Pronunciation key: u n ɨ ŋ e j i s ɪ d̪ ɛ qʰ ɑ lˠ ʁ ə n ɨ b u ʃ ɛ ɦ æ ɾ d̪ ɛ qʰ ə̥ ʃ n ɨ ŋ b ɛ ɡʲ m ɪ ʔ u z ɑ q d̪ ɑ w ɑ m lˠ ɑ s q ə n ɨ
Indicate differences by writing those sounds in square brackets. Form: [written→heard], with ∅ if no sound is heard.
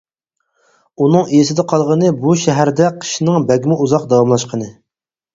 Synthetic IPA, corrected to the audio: u n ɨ ŋ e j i s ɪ d̪ ɛ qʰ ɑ lˠ ʁ ə n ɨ b u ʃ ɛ ɦ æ ɾ d̪ ɛ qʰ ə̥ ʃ n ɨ ŋ b ɛ ɡʲ m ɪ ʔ u z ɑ q d̪ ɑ w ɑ m lˠ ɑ [s→ʃ] q ə n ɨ